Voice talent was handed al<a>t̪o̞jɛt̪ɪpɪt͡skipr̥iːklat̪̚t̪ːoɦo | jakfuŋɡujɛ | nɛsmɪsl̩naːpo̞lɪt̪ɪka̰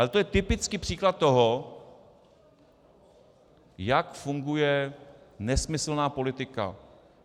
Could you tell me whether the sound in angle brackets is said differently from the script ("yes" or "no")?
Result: yes